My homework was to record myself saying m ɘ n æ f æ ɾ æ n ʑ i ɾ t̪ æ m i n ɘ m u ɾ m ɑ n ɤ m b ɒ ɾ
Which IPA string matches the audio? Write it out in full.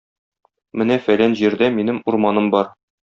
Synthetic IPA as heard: m ɘ n æ f æ l æ n ʑ i ɾ d̪ æ m i n ɘ m u ɾ m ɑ n ɤ m b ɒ ɾ